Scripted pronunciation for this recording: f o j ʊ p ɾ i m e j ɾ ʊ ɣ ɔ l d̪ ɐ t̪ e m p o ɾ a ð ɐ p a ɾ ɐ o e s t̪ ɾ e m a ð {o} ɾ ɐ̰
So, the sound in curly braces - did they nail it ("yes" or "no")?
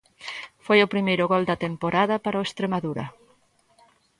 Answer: no